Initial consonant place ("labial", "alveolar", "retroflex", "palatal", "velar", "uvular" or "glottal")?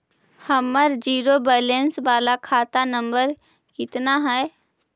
glottal